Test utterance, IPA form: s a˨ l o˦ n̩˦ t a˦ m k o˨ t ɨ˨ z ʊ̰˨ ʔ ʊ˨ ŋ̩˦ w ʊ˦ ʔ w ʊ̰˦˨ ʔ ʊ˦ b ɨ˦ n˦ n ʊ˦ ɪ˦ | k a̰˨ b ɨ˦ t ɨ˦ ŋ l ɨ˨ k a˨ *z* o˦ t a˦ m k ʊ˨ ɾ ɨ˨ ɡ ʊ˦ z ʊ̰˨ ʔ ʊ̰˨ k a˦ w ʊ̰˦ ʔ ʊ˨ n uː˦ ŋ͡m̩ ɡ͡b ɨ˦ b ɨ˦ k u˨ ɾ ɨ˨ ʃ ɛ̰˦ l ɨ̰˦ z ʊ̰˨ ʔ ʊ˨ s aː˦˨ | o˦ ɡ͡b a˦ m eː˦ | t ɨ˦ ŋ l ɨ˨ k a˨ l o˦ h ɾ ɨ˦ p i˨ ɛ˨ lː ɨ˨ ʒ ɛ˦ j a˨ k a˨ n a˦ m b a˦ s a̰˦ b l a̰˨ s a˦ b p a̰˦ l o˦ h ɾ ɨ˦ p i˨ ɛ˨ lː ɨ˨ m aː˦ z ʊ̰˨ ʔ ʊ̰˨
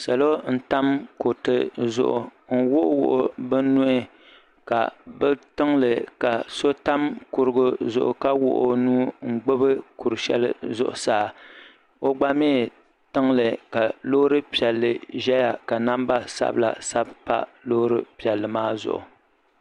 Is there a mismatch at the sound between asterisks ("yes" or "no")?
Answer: yes